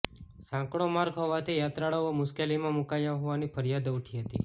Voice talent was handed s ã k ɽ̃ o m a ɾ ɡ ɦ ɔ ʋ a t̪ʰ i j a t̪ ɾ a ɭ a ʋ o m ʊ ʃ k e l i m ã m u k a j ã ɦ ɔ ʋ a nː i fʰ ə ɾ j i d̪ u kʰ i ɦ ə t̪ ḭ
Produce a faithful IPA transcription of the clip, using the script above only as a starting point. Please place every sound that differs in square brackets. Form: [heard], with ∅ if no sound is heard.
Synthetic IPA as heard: s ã k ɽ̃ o m a ɾ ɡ ɦ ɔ ʋ a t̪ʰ i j a t̪ ɾ a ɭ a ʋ o m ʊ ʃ k e l i m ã m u k a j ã ɦ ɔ ʋ a [n] i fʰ ə ɾ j [a] d̪ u [ʈʰ] i ɦ ə t̪ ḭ